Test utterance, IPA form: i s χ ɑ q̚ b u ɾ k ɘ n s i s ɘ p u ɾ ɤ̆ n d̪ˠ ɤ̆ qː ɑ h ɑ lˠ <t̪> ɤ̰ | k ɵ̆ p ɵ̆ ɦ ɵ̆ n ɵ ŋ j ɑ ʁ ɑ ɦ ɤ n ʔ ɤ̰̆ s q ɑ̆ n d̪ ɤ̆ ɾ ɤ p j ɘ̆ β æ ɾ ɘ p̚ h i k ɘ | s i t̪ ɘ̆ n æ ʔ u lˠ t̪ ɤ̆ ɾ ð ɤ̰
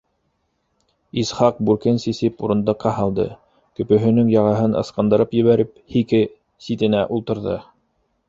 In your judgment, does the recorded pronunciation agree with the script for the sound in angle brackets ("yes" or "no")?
no